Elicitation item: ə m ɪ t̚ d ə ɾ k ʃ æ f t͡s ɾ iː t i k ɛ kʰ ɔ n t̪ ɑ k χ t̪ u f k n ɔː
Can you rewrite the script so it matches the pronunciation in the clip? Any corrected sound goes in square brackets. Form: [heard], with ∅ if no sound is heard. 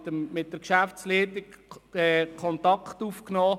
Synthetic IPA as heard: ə m ɪ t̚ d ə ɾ k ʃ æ f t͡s [l] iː t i k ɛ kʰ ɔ n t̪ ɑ k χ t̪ u f k n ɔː

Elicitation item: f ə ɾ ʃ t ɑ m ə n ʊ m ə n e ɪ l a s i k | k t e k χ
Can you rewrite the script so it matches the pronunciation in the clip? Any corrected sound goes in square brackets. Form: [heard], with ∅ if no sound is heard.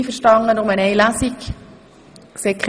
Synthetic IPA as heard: f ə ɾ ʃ t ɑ [ŋ] ə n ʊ m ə n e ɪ l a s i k | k [s] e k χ

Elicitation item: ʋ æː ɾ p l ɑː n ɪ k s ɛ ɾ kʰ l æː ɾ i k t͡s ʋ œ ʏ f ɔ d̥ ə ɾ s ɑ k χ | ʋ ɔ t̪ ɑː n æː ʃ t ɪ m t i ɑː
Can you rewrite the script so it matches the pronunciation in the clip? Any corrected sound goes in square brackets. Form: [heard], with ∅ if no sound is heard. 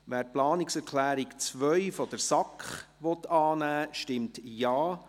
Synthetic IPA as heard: ʋ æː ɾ p l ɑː n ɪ k s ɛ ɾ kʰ l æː ɾ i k t͡s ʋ œ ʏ f ɔ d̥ ə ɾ s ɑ k χ | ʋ ɔ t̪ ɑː n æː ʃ t ɪ m t [j] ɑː

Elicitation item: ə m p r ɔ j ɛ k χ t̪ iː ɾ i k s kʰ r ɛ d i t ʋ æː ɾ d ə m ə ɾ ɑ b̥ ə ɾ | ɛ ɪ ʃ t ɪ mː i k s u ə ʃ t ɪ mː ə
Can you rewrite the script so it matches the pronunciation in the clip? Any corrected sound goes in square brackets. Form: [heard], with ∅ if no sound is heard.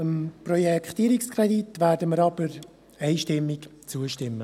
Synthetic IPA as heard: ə m p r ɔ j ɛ k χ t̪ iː ɾ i k s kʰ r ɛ d i t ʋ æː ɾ d ə m ə ɾ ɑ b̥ ə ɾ | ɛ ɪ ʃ t ɪ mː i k [t͡s] u ə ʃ t ɪ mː ə

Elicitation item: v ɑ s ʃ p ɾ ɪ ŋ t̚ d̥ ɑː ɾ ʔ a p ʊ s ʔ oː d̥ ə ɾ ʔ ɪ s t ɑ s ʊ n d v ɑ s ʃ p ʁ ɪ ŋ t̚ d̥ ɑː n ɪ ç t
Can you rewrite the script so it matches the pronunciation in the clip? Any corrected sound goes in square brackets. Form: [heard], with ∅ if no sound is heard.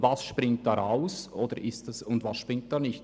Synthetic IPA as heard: v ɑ s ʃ p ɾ ɪ ŋ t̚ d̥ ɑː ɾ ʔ a [∅] ʊ s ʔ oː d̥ ə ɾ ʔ ɪ s t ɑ s ʊ n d v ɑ s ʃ p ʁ ɪ ŋ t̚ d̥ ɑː n ɪ ç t

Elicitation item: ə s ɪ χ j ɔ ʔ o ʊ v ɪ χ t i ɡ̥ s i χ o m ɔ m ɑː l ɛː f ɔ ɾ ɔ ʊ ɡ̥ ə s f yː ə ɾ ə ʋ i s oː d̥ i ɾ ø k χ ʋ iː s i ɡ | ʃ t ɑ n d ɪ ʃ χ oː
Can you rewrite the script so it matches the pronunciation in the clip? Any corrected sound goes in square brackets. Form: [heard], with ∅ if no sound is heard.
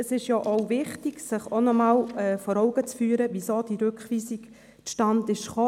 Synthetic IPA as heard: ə s ɪ [ʃ] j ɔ ʔ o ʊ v ɪ χ t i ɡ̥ s [ɪ] χ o [n] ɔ m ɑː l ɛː f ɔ ɾ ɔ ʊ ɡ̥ ə [t͡s] f yː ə ɾ ə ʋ i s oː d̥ i ɾ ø k χ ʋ iː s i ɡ | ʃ t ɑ n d ɪ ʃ χ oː

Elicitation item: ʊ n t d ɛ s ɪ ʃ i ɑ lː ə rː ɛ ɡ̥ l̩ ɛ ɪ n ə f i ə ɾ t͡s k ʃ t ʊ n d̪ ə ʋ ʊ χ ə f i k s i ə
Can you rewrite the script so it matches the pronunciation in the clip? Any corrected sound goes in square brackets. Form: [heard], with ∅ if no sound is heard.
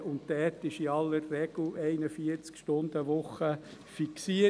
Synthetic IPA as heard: ʊ n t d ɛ [t] ɪ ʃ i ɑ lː ə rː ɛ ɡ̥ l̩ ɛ ɪ n ə f i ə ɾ t͡s k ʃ t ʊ n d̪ ə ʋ ʊ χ ə f i k s i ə

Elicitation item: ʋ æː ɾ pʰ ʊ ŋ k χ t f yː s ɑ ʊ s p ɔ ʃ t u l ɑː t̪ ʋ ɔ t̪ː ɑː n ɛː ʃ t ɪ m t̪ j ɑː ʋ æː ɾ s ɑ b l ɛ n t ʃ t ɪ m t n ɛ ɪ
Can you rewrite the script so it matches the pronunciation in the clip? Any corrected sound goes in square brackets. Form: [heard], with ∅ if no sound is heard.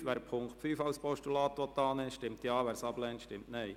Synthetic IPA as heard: ʋ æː ɾ pʰ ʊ ŋ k χ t f yː [f] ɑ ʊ s p ɔ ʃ t u l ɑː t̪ ʋ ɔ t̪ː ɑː n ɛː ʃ t ɪ m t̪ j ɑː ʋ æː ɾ s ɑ b l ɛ n t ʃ t ɪ m t n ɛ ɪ

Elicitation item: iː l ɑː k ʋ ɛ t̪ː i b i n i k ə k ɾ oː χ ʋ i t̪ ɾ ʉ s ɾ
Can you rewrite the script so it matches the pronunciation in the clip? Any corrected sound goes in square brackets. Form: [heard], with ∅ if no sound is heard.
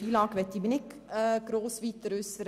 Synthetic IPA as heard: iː l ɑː k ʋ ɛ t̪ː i b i n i k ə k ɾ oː [s] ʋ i t̪ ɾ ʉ s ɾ

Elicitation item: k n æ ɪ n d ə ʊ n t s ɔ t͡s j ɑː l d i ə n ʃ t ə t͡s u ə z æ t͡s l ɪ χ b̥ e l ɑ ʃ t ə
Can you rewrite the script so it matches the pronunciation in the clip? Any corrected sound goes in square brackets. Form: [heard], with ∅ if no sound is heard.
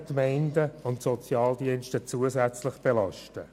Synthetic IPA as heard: k [m] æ ɪ n d ə ʊ n t s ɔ t͡s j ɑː l d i ə n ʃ t ə t͡s u ə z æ t͡s l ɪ χ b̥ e l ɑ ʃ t ə

